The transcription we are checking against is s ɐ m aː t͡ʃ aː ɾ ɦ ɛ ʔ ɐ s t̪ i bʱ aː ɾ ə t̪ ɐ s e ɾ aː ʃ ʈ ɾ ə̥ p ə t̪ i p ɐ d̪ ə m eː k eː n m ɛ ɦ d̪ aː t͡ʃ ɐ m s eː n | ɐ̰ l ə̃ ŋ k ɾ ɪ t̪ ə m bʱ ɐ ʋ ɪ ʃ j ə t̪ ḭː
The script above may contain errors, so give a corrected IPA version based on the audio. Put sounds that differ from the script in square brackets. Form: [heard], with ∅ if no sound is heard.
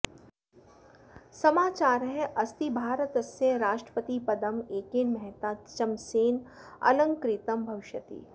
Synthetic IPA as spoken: s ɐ m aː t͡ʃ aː ɾ ɦ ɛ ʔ ɐ s t̪ i bʱ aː ɾ ə t̪ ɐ s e ɾ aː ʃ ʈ ɾ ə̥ p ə t̪ i p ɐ d̪ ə m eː k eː n m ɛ ɦ [t̪] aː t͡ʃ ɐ m s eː n | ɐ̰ l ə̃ ŋ k ɾ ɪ t̪ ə m bʱ ɐ ʋ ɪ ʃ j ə t̪ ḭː